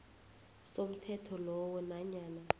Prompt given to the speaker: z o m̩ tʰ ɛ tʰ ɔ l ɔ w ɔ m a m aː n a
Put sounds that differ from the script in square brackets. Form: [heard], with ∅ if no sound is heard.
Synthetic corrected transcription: [s] o m̩ tʰ ɛ tʰ ɔ l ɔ w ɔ [n] a [ɲ] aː n a